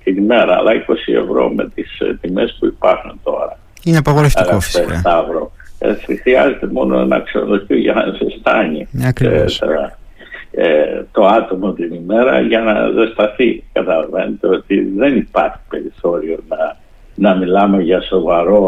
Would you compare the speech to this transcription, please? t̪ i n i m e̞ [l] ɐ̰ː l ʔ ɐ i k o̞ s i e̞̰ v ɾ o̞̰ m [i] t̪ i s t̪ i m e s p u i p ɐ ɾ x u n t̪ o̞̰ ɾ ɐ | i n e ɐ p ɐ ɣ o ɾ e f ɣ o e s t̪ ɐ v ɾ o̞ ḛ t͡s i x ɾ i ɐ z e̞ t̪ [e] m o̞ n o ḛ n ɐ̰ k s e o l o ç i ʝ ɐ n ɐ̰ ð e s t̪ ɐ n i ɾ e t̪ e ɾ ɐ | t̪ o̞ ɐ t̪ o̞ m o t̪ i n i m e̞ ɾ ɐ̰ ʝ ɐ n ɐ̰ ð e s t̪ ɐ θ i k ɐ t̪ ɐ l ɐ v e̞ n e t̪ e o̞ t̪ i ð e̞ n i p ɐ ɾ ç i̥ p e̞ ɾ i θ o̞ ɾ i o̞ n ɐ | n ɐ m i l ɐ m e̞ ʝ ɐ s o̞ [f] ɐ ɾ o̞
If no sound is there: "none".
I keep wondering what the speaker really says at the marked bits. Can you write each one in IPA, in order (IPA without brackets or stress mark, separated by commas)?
ɾ, e, e, v